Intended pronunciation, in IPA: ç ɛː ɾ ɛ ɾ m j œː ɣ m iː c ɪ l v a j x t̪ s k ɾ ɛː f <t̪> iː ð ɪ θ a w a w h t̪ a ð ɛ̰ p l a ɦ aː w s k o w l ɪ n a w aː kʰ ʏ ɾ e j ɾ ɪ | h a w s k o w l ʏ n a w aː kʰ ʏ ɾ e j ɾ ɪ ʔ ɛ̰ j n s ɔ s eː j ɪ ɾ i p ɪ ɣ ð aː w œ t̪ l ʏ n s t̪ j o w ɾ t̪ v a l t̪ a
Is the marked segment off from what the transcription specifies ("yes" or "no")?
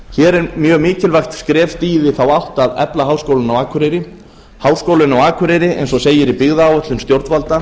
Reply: no